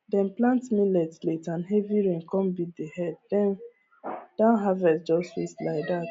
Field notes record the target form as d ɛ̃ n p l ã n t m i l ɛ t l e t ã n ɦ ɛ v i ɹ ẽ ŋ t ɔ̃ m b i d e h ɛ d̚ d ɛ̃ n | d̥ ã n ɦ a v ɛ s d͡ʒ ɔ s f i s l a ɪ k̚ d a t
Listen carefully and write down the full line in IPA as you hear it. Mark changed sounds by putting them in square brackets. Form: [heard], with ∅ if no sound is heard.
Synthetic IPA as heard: d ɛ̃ n p l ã n t m i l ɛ t l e t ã n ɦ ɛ v i ɹ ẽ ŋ [k] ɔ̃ m b i d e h ɛ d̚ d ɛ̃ n | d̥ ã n ɦ a v ɛ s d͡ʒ ɔ s f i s l a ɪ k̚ d a t